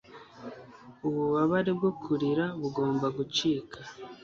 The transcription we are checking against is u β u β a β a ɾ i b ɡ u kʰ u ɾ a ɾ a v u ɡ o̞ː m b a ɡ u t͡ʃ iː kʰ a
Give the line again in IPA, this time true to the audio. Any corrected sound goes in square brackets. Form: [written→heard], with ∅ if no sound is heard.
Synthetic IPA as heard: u β u β a β a ɾ i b ɡ [u→o] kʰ u ɾ [a→i] ɾ a [v→β] u ɡ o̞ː m b a ɡ u t͡ʃ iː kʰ a